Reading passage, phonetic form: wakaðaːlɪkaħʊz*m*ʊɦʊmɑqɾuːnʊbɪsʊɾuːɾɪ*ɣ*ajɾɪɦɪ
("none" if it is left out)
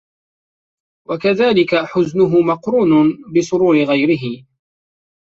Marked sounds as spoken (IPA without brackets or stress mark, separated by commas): n, ɣ